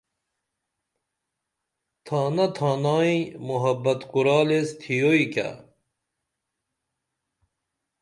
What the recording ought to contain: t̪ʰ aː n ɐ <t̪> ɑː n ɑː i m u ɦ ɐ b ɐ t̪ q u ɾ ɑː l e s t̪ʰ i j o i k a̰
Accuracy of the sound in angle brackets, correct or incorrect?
incorrect